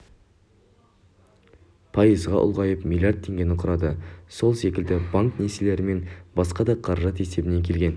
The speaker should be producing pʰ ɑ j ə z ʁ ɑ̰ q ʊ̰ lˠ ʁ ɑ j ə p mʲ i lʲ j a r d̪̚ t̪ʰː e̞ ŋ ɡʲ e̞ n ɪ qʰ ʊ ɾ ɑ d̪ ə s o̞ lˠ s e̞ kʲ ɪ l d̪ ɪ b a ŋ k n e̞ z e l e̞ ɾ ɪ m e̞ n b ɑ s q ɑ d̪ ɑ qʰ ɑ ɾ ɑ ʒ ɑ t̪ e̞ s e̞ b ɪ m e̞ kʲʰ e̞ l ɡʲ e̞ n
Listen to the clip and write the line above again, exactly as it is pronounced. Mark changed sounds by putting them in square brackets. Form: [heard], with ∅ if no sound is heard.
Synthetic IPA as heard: pʰ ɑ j ə z ʁ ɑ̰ [ʔ] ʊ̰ lˠ ʁ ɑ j ə p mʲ i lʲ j a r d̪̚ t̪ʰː e̞ ŋ ɡʲ e̞ n ɪ qʰ ʊ ɾ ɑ d̪ ə s o̞ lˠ s e̞ kʲ ɪ l d̪ ɪ b a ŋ k n e̞ [s] e l e̞ ɾ ɪ m e̞ n b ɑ s q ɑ d̪ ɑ qʰ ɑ ɾ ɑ ʒ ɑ t̪ e̞ s e̞ b ɪ [n] e̞ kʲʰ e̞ l ɡʲ e̞ n